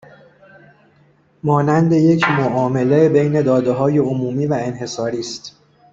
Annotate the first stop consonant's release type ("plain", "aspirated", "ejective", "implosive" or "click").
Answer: plain